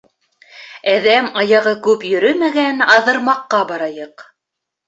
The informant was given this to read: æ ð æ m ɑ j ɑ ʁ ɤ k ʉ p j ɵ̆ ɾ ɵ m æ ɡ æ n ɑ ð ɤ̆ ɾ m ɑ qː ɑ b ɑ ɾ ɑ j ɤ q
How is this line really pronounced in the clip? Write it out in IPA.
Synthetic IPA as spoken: æ ð æ m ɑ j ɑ ʁ ɤ k ʉ p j ɵ̆ ɾ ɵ m æ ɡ æ n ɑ ð ɤ̆ ɾ m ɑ qː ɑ b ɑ ɾ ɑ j ɤ q